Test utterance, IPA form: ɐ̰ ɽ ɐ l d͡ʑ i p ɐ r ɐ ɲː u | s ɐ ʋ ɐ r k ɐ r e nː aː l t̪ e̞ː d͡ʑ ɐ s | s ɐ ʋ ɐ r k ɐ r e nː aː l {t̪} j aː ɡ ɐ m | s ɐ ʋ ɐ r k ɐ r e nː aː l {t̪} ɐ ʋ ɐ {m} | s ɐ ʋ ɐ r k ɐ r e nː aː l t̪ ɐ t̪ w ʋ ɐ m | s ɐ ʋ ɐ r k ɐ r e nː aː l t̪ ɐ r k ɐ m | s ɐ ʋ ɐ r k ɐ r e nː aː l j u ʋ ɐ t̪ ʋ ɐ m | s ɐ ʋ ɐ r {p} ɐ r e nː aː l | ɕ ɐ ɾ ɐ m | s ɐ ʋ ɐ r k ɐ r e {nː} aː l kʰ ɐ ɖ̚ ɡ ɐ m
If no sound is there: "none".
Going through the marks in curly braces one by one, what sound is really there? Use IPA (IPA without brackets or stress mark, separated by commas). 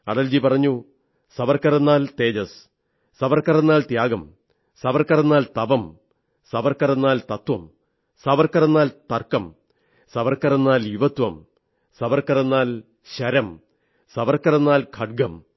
t̪, t̪, m, k, nː